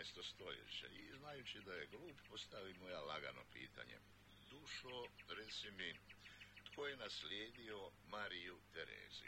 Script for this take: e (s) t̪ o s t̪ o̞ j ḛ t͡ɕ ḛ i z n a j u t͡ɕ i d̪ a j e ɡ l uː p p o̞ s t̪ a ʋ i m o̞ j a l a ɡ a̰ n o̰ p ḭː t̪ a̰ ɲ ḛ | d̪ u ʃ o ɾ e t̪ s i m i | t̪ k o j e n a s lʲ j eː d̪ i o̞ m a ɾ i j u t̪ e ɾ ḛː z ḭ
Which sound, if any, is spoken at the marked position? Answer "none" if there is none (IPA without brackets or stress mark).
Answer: s